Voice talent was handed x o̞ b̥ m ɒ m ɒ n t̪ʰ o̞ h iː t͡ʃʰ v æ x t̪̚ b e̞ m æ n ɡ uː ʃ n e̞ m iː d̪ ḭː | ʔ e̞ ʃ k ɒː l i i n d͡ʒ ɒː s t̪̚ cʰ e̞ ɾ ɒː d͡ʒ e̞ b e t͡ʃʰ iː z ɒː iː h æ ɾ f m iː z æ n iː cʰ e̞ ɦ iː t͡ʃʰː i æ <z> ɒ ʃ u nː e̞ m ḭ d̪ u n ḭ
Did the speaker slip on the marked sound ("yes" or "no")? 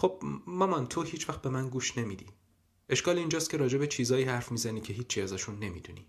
no